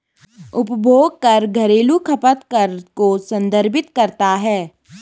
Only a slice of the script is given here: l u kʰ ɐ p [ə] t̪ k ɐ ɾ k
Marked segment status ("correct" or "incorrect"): correct